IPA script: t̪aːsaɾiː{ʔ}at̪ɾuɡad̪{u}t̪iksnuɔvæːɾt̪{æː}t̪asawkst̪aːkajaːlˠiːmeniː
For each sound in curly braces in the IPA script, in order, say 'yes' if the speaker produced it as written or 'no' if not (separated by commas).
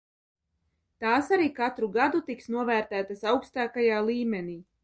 no, yes, yes